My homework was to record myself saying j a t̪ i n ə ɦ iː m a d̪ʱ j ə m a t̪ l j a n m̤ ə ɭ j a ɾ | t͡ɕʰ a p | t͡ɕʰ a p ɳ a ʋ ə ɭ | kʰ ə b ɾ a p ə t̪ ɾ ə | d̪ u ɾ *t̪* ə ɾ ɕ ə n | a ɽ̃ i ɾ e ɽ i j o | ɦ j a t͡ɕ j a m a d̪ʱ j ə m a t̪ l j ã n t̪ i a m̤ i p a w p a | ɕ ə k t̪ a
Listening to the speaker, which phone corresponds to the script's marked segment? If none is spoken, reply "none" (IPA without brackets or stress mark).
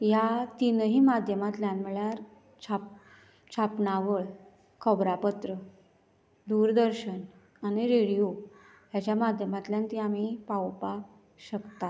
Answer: d̪